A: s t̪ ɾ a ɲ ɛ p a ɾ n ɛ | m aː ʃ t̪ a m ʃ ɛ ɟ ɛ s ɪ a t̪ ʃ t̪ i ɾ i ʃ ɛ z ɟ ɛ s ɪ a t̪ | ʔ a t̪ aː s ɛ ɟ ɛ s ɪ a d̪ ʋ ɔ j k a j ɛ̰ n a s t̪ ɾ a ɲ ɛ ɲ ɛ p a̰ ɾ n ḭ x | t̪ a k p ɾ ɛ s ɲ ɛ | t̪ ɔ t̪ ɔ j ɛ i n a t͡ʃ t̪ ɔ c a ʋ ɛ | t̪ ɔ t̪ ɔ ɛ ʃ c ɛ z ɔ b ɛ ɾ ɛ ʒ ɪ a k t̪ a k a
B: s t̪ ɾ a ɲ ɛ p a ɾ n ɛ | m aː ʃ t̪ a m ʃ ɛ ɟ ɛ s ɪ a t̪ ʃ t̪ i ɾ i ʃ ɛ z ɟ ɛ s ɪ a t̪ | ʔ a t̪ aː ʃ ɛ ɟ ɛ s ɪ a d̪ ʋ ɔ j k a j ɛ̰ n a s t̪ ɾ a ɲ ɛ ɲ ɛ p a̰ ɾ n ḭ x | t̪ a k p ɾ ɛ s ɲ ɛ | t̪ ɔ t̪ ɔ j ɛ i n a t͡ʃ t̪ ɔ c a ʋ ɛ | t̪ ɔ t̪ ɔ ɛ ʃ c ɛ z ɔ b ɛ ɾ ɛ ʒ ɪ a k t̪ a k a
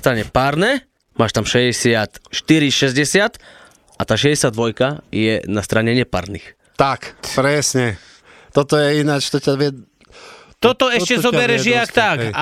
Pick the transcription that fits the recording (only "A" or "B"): B